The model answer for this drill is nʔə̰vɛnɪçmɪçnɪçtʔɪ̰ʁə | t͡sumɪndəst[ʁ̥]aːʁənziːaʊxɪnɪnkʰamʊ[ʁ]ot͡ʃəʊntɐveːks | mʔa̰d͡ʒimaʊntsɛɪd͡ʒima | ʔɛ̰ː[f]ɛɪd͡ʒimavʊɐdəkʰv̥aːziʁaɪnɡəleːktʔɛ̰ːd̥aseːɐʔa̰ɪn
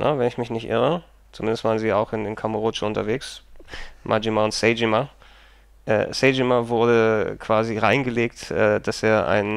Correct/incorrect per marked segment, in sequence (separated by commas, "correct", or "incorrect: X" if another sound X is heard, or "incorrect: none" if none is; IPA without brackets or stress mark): incorrect: v̥, correct, incorrect: s